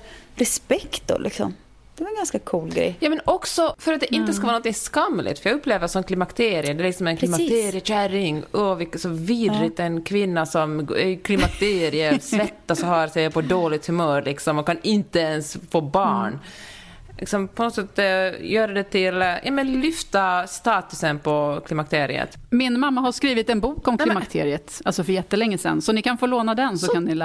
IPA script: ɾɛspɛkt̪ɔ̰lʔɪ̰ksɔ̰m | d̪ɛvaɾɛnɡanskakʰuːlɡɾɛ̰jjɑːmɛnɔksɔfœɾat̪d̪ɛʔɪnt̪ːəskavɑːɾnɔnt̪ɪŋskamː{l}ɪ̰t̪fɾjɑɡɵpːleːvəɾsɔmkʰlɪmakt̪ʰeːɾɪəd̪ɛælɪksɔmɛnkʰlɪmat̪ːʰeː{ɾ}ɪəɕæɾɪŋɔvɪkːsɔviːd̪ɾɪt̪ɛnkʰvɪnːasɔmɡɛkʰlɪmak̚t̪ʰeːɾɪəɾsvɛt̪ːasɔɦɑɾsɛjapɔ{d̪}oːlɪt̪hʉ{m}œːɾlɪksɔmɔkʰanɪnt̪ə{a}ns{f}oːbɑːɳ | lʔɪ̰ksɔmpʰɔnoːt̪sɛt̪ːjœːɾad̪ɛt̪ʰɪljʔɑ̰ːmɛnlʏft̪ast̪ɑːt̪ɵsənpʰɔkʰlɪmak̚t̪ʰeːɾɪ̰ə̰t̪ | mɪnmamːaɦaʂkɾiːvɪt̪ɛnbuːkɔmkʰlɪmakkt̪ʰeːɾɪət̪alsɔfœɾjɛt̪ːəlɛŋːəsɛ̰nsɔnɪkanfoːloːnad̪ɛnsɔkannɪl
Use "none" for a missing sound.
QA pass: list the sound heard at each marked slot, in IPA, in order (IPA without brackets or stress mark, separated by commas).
l, ɾ, d̪, m, ɛ, f